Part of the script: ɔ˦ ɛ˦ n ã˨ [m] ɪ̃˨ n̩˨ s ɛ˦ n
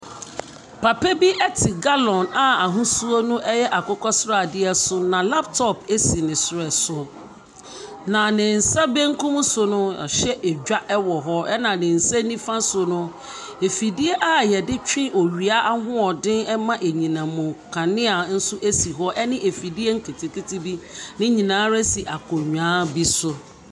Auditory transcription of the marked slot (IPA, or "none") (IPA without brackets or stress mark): n